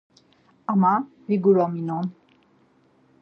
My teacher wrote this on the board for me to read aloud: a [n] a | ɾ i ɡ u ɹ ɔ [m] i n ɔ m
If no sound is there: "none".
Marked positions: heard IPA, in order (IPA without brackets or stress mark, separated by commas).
m, m